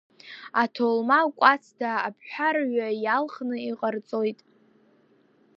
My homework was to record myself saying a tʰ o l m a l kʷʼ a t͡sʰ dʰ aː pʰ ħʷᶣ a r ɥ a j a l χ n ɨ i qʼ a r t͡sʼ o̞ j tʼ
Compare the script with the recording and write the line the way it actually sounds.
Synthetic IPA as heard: a tʰ o l m a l kʷʼ a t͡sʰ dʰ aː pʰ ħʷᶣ a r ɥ a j a l χ n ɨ i qʼ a r t͡sʼ o̞ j tʼ